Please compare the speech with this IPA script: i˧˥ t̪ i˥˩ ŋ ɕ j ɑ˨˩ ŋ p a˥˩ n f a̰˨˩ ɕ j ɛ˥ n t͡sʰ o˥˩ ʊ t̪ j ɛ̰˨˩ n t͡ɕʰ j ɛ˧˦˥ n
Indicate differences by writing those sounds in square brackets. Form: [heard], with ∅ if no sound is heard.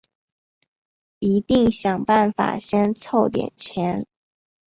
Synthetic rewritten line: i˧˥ t̪ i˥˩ ŋ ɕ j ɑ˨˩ ŋ p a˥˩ n f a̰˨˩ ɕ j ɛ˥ n t͡sʰ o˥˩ ʊ t̪ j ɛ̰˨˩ n t͡ɕʰ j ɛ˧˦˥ n